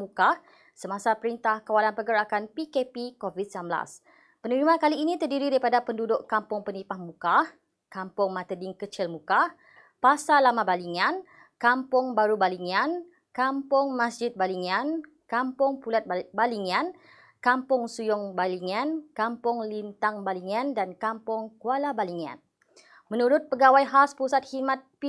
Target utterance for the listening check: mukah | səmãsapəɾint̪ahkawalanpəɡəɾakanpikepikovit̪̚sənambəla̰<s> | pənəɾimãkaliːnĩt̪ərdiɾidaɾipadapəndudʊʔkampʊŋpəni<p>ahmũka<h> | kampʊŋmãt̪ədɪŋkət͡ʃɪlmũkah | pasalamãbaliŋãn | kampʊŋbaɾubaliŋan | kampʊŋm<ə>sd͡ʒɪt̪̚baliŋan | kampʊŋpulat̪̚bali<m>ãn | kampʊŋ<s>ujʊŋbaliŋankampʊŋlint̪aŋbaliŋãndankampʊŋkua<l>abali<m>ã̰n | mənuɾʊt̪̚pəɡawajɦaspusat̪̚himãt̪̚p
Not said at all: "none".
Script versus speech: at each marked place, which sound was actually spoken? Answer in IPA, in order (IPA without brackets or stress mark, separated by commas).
s, p, h, a, ŋ, s, l, ŋ